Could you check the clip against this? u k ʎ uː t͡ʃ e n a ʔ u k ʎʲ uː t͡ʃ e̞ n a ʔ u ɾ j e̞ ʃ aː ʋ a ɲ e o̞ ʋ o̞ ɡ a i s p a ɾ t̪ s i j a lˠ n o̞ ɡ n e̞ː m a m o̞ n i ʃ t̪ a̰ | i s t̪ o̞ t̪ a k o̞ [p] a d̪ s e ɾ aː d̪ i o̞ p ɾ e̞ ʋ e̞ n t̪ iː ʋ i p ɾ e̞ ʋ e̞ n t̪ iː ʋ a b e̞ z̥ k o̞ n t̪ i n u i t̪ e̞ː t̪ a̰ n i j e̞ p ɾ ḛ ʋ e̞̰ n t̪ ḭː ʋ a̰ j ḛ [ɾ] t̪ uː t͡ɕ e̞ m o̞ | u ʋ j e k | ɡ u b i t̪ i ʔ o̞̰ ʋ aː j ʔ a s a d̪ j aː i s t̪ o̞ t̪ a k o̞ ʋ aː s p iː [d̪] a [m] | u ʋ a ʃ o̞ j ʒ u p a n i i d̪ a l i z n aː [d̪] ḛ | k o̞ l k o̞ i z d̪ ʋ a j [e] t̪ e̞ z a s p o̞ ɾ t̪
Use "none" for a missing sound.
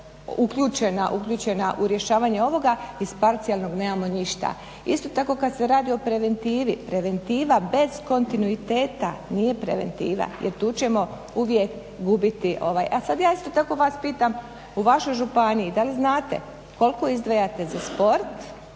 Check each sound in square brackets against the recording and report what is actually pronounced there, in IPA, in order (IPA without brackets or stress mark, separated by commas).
k, ɾ, t̪, m, t̪, a